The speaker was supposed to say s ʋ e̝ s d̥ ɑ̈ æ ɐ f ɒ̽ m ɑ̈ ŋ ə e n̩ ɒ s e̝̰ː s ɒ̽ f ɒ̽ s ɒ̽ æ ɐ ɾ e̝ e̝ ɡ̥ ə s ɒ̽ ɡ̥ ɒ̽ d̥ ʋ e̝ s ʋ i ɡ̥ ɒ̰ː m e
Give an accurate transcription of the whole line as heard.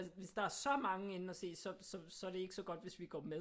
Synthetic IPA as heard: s ʋ e̝ s d̥ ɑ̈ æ ɐ s ɒ̽ m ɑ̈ ŋ ə e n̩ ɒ s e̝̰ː s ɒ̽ s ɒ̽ s ɒ̽ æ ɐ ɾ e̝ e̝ ɡ̥ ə s ɒ̽ ɡ̥ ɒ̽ d̥ ʋ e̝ s ʋ i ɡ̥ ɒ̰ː m e